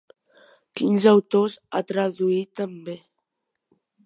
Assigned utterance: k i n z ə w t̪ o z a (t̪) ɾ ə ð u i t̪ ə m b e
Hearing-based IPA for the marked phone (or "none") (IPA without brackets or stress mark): t̪